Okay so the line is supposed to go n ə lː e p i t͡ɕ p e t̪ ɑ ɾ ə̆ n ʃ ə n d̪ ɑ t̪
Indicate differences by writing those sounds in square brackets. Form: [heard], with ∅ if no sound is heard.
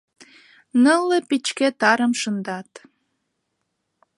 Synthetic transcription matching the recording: n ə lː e p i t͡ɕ [k] e t̪ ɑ ɾ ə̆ [m] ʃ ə n d̪ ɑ t̪

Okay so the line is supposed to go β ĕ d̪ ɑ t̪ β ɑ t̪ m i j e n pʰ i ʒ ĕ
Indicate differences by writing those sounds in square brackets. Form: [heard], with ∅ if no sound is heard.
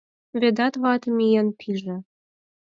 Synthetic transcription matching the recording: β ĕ d̪ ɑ t̪ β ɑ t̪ m i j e n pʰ i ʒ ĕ

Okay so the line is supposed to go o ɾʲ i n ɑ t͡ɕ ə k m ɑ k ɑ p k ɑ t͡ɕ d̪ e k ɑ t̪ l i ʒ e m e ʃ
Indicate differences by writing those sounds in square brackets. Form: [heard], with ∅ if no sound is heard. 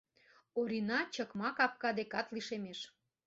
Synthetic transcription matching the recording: o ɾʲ i n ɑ t͡ɕ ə k m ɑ k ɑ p k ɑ [∅] d̪ e k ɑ t̪ l i [ʃ] e m e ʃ

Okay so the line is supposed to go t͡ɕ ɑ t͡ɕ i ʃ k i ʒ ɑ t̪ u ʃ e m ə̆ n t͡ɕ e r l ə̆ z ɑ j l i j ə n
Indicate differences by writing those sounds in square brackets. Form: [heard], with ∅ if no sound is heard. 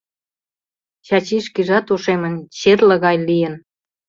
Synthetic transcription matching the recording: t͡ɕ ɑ t͡ɕ i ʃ k i ʒ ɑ t̪ u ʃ e m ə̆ n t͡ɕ e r l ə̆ [ɣ] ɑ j l i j ə n

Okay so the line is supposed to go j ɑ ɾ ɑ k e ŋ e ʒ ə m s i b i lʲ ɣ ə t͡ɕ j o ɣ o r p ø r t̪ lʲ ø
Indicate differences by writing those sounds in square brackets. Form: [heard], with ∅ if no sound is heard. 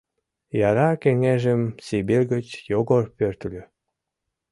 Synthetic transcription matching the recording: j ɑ ɾ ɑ k e ŋ e ʒ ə m s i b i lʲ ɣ ə t͡ɕ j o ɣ o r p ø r t̪ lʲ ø

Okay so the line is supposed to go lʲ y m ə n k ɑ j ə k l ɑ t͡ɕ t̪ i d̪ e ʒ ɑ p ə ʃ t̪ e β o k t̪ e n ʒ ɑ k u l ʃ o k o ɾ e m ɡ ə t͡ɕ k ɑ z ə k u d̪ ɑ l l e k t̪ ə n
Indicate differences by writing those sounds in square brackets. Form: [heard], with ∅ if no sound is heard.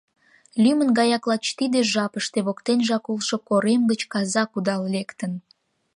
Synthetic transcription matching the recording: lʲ y m ə n [ɡ] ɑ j [ɑ] k l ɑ t͡ɕ t̪ i d̪ e ʒ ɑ p ə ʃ t̪ e β o k t̪ e n ʒ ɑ k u l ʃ o k o ɾ e m ɡ ə t͡ɕ k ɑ z [ɑ] k u d̪ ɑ l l e k t̪ ə n

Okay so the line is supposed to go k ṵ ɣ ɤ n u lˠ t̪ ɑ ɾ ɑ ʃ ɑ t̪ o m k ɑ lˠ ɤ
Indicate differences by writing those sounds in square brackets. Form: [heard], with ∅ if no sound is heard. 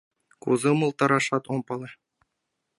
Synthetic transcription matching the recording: k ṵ [z] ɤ [m] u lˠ t̪ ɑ ɾ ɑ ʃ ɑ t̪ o m [p] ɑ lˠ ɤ

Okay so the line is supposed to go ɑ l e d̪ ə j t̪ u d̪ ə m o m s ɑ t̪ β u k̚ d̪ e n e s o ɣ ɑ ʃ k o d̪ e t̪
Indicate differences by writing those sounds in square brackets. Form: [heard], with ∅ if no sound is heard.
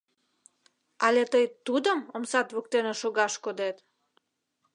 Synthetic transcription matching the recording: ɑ l e [t̪] ə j t̪ u d̪ ə m o m s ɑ t̪ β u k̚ [t̪] e n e [ʃ] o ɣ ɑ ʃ k o d̪ e t̪

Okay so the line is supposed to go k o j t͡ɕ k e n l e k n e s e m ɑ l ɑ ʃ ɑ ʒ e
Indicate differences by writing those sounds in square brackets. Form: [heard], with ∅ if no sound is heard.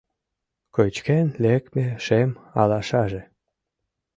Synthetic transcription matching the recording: k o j t͡ɕ k e n l e k [m] e [ʃ] e m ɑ l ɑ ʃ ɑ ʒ e

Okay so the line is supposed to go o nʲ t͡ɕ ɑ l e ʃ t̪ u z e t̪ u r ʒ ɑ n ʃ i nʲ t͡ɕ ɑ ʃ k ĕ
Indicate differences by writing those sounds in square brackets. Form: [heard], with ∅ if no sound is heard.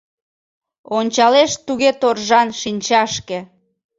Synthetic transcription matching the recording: o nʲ t͡ɕ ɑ l e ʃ t̪ u [ɣ] e t̪ [o] r ʒ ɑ n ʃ i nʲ t͡ɕ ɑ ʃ k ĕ

